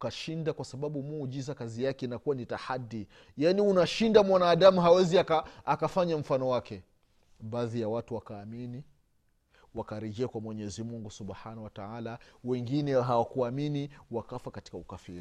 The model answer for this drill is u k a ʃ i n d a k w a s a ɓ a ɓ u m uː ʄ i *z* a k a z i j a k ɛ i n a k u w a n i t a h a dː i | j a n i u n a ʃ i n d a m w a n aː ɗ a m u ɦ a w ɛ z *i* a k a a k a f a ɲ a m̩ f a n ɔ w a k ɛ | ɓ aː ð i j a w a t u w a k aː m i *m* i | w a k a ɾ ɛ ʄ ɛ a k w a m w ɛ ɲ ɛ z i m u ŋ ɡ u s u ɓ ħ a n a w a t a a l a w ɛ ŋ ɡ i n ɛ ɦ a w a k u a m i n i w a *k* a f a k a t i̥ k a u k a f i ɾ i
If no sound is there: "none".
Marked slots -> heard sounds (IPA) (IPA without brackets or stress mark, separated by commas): z, i, n, k